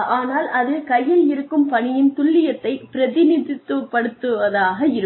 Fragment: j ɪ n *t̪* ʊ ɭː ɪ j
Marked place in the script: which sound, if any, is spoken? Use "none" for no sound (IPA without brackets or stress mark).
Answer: t̪